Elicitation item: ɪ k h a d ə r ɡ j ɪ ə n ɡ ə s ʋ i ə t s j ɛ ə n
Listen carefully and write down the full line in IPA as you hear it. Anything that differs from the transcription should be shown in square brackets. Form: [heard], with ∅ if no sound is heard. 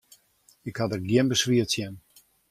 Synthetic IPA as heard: ɪ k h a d ə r ɡ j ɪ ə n [b] ə s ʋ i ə t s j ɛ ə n